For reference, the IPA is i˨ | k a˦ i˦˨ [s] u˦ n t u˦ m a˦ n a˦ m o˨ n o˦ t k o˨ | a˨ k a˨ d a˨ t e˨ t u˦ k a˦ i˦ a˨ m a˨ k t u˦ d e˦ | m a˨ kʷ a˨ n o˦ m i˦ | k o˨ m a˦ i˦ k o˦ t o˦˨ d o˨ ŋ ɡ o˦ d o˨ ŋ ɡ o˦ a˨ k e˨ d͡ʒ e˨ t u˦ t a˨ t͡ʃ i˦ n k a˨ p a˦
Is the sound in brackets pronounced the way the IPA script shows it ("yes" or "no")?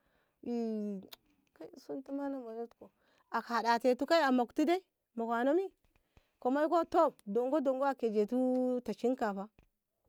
yes